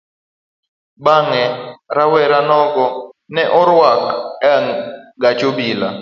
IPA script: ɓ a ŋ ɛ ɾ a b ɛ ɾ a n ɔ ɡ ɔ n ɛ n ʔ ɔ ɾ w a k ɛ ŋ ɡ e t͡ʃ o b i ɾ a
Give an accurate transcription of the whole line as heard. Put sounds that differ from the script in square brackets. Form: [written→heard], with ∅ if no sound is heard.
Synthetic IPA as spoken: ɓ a ŋ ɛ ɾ a [b→w] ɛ ɾ a n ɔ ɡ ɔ n ɛ [n→∅] ʔ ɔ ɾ w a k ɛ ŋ ɡ [e→a] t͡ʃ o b i [ɾ→l] a